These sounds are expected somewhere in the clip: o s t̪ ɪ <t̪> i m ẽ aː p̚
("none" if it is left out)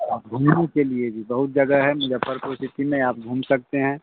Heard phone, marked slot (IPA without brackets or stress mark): t̪